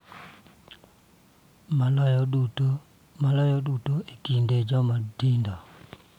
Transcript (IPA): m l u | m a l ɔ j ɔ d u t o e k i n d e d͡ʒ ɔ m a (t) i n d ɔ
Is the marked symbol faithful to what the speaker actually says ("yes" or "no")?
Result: no